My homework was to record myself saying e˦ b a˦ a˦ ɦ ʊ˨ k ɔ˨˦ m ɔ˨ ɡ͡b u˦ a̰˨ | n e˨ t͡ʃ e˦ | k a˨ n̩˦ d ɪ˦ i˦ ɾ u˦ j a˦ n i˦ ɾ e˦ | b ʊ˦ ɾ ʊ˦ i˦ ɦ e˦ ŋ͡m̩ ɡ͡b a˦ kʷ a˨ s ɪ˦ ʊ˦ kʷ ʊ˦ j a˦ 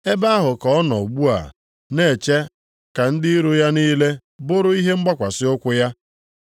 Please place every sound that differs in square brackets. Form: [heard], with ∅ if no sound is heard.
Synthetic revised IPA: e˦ b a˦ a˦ ɦ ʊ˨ k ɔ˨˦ [n] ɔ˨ ɡ͡b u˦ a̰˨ | n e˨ t͡ʃ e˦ | k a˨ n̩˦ d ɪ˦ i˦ ɾ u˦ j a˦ n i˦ [l] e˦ | b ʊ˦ ɾ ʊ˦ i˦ ɦ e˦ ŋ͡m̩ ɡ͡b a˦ kʷ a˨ s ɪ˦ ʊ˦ kʷ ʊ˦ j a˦